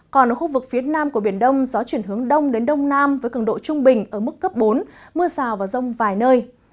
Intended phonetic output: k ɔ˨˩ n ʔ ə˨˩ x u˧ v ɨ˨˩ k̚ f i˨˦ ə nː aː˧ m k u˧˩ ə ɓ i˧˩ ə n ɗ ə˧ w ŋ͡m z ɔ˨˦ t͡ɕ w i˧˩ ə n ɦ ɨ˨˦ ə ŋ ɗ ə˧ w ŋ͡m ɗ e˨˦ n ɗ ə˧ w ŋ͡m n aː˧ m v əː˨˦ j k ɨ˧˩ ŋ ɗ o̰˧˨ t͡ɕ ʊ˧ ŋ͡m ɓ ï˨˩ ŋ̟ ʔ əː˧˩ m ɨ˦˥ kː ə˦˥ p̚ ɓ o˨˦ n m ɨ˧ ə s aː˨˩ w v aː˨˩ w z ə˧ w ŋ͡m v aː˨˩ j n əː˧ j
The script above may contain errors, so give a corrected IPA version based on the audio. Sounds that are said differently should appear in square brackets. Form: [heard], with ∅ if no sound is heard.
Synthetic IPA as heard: k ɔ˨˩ n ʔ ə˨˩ x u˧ v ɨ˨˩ k̚ f i˨˦ ə [n] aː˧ m k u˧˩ ə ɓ i˧˩ ə n ɗ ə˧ w ŋ͡m z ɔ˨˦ t͡ɕ w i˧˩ ə n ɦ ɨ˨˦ ə ŋ ɗ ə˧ w ŋ͡m ɗ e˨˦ n ɗ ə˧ w ŋ͡m n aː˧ m v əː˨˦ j k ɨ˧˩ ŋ ɗ o̰˧˨ t͡ɕ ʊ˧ ŋ͡m ɓ ï˨˩ ŋ̟ ʔ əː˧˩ m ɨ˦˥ kː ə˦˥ p̚ ɓ o˨˦ n m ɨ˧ ə s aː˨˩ w v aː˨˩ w z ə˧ w ŋ͡m v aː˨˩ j n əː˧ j

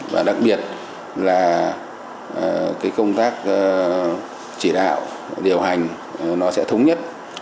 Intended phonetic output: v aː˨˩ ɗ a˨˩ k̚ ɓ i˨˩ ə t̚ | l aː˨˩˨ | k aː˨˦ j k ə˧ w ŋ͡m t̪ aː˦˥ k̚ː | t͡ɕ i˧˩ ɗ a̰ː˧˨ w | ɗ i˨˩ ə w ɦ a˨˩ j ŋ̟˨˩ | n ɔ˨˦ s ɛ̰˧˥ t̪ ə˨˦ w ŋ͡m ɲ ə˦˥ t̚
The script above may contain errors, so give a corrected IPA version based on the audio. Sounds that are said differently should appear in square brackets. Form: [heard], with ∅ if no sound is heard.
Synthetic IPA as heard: v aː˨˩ ɗ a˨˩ k̚ ɓ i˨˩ ə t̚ | l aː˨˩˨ | k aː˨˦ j k ə˧ w ŋ͡m t̪ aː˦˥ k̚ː | t͡ɕ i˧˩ ɗ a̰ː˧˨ w | ɗ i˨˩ ə w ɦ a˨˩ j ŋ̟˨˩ | n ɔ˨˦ s ɛ̰˧˥ [t̪ʰ] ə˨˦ w ŋ͡m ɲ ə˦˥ t̚

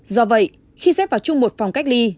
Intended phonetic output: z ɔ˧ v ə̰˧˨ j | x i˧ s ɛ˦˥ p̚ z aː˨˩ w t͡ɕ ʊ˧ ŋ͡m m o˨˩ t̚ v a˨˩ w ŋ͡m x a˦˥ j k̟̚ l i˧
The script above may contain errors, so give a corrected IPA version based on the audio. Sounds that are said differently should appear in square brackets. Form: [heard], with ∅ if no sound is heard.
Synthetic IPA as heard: z ɔ˧ v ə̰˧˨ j | x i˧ s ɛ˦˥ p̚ [v] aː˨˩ w t͡ɕ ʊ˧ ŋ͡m m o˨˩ t̚ [f] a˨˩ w ŋ͡m [k] a˦˥ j k̟̚ l i˧

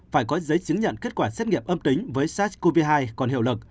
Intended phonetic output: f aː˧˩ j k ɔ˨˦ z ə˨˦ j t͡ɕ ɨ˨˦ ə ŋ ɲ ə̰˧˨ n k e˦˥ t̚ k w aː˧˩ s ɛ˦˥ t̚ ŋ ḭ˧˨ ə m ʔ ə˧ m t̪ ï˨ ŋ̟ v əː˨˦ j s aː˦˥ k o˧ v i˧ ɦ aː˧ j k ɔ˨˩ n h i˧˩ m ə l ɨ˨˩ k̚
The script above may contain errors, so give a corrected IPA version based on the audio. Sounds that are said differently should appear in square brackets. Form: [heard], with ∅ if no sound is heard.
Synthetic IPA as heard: f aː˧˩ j k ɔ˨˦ z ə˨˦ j t͡ɕ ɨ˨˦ ə ŋ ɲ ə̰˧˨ n k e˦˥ t̚ k w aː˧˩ s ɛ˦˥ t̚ ŋ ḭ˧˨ ə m ʔ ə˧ m t̪ [ï˨˦] ŋ̟ v əː˨˦ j s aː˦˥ k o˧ v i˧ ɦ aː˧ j k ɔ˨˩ n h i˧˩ [∅] ə l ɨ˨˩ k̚

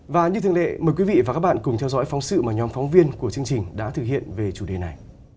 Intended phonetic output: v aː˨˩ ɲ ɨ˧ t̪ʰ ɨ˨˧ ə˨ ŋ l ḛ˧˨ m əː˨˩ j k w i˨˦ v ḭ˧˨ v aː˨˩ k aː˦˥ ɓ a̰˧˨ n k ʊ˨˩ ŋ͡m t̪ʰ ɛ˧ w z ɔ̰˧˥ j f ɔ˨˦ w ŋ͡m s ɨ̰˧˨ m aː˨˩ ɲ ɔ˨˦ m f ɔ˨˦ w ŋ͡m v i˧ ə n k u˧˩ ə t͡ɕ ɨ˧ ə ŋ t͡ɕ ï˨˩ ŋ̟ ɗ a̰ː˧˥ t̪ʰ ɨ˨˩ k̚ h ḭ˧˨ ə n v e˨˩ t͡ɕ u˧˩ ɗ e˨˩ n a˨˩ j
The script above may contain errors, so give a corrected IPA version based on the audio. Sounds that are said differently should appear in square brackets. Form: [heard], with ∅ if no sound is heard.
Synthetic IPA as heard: v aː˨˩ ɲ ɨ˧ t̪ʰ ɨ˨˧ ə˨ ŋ l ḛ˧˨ m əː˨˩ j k w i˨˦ v ḭ˧˨ v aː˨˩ k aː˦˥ ɓ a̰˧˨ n k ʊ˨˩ ŋ͡m t̪ʰ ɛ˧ w z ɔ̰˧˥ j f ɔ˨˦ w ŋ͡m s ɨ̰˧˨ m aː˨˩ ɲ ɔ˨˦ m f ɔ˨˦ w ŋ͡m v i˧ ə n k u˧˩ ə t͡ɕ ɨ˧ ə ŋ t͡ɕ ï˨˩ ŋ̟ ɗ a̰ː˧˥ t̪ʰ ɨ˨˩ k̚ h ḭ˧˨ ə n v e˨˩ t͡ɕ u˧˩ ɗ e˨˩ n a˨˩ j

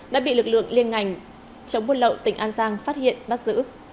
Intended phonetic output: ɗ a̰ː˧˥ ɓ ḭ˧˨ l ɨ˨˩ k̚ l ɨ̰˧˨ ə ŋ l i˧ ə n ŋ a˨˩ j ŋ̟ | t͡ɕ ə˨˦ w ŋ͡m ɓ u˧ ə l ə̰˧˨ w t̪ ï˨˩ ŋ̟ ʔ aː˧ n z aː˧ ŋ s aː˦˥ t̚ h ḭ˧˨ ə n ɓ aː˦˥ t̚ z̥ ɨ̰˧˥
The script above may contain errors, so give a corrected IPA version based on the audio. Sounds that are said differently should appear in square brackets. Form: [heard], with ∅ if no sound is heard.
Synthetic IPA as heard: ɗ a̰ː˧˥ ɓ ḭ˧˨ l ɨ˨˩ k̚ l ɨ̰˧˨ ə ŋ l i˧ ə n ŋ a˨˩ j ŋ̟ | t͡ɕ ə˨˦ w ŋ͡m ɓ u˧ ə l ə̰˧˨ w t̪ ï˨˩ ŋ̟ ʔ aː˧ n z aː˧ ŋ [f] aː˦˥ t̚ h ḭ˧˨ ə n ɓ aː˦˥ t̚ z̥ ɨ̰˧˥

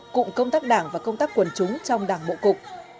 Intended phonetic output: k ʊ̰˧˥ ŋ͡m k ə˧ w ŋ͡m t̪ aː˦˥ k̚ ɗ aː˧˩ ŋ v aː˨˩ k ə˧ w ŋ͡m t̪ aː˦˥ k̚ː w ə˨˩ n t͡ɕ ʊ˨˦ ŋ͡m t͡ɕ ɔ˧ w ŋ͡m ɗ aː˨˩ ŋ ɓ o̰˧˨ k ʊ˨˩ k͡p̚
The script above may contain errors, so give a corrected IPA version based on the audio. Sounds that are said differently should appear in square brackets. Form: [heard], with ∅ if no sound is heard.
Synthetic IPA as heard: k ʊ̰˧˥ ŋ͡m k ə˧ w ŋ͡m t̪ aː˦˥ k̚ ɗ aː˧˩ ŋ v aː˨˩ k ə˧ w ŋ͡m t̪ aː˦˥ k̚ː w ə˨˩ n t͡ɕ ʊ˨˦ ŋ͡m t͡ɕ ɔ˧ w ŋ͡m ɗ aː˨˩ ŋ ɓ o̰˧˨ k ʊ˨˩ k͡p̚

